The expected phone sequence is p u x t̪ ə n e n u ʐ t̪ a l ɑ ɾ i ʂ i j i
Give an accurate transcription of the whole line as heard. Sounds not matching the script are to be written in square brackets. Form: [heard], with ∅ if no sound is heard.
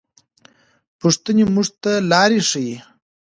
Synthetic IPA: p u [ʂ] t̪ ə n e [m] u ʐ t̪ a l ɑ ɾ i ʂ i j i